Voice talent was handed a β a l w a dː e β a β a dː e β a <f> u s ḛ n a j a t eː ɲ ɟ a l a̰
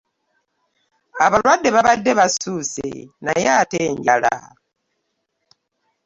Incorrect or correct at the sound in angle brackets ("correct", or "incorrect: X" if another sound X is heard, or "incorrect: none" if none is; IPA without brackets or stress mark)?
incorrect: s